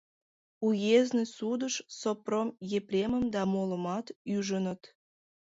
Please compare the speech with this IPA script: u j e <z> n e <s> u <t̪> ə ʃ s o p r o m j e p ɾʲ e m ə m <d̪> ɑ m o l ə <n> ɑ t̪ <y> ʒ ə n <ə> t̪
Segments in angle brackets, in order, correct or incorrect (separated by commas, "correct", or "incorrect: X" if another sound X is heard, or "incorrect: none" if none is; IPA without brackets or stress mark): correct, correct, incorrect: d̪, correct, incorrect: m, correct, correct